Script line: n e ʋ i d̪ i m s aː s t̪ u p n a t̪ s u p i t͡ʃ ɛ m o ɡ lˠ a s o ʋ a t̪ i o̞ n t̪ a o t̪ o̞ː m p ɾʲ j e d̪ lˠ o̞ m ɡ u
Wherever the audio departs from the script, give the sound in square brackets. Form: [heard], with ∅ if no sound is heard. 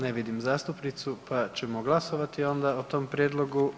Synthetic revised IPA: n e ʋ i d̪ i m [z] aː s t̪ u p n [i] t̪ s u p [a] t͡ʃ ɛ m o ɡ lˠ a s o ʋ a t̪ i o̞ n [d̪] a o t̪ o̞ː m p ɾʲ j e d̪ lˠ o̞ [∅] ɡ u